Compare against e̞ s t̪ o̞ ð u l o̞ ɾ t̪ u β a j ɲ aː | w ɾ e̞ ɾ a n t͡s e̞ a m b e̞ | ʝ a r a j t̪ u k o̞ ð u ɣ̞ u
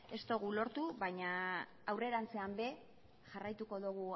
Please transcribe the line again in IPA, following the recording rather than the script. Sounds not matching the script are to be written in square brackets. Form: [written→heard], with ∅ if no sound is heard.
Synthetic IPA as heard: e̞ s t̪ o̞ [ð→ɣ] u l o̞ ɾ t̪ u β a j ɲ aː | w [ɾ→r] e̞ ɾ a n t͡s e̞ a m b e̞ | ʝ a r a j t̪ u k o̞ ð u ɣ̞ u